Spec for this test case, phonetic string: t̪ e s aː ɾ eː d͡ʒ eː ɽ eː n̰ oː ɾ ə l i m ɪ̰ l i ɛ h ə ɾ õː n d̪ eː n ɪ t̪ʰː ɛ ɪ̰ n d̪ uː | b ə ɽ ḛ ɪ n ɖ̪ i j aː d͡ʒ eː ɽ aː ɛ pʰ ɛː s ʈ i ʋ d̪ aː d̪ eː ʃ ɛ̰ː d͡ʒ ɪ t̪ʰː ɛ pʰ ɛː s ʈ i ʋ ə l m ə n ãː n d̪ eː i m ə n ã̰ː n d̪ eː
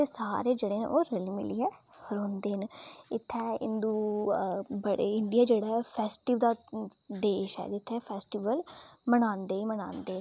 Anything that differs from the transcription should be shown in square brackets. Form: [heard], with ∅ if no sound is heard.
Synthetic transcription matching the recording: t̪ e s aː ɾ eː d͡ʒ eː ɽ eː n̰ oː ɾ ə l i m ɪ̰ l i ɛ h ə ɾ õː n d̪ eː n ɪ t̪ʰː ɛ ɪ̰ n d̪ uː | b ə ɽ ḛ ɪ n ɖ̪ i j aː d͡ʒ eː ɽ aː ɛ pʰ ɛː s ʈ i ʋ d̪ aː d̪ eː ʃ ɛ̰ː d͡ʒ ɪ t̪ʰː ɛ pʰ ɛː s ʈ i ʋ ə l m ə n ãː n d̪ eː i m ə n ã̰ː n d̪ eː